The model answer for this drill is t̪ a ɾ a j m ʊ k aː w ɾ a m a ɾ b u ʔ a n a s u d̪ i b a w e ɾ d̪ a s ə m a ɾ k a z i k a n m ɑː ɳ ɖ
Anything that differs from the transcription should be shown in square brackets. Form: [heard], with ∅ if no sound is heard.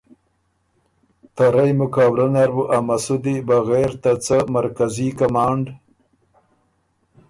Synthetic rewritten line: t̪ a ɾ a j m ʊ k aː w ɾ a [n] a ɾ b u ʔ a [m] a s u d̪ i b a [ɣ] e ɾ [t̪] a [t͡s] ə m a ɾ k a z i k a [∅] m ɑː ɳ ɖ